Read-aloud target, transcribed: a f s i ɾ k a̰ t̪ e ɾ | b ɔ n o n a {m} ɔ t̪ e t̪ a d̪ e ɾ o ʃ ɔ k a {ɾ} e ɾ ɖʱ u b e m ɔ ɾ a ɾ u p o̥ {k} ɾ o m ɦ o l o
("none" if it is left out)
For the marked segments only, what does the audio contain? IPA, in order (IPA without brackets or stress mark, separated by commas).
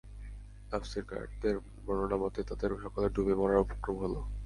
m, l, k